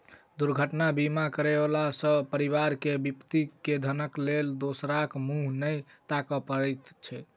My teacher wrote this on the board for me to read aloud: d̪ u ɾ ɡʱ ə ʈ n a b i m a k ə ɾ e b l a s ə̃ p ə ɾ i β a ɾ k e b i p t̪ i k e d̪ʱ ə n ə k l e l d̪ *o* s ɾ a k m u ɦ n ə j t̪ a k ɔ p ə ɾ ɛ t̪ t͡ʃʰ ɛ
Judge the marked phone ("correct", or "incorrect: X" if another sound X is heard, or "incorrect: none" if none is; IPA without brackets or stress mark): correct